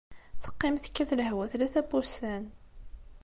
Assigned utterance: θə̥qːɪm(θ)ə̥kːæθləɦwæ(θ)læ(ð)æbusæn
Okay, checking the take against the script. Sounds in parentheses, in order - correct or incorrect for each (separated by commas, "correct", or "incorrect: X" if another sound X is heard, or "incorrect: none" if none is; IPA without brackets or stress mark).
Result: correct, correct, incorrect: θ